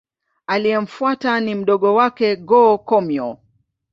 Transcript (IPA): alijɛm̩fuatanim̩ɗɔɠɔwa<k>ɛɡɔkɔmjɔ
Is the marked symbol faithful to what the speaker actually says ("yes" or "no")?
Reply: yes